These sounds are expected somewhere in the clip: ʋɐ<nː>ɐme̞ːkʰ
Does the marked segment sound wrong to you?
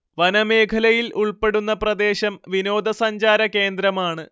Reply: yes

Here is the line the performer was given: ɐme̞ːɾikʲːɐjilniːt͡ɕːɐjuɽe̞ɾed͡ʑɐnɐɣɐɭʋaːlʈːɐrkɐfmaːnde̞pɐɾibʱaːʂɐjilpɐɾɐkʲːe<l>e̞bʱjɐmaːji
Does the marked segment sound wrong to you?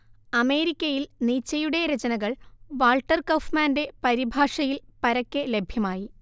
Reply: no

